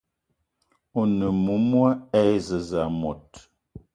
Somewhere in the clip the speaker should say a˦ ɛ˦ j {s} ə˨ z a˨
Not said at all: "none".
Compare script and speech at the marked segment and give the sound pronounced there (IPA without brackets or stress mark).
z